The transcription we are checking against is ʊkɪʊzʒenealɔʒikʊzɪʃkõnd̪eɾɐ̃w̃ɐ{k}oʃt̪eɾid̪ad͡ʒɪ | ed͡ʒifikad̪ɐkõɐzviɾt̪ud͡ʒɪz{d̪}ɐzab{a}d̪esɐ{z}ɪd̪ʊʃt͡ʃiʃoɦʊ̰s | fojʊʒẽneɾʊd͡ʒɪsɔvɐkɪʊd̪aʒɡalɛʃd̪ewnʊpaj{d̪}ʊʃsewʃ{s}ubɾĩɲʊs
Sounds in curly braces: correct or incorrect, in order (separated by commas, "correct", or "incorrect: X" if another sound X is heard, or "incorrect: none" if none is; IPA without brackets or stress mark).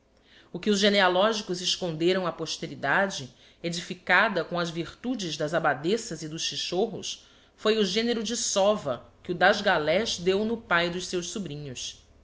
incorrect: p, correct, correct, correct, correct, correct